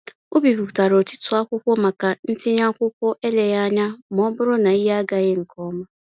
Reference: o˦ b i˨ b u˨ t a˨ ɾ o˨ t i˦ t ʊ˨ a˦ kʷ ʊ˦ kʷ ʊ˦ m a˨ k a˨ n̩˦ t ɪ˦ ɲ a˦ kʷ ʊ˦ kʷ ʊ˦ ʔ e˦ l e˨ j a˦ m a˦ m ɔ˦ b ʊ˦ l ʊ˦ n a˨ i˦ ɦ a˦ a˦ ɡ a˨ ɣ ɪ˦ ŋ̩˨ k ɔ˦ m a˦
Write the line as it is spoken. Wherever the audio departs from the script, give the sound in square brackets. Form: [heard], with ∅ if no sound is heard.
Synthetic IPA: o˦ b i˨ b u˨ t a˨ ɾ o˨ t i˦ t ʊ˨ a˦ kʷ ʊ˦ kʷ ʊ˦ m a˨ k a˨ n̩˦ t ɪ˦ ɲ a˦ kʷ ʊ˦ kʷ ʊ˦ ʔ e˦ l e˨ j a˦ [ɲ] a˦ m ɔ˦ b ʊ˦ [ɾ] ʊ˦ n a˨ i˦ ɦ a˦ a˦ ɡ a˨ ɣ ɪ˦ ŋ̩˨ k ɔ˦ m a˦